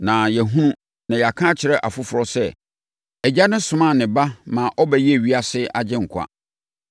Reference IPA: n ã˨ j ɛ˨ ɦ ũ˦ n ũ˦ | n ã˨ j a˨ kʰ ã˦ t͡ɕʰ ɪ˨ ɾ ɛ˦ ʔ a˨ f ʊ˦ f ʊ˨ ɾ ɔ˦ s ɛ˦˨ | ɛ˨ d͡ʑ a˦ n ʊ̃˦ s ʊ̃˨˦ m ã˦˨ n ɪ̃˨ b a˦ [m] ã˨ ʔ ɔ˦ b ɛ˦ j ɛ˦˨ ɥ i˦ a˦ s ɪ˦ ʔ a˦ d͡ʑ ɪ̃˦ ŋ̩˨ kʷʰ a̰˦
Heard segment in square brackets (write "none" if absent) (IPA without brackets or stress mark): m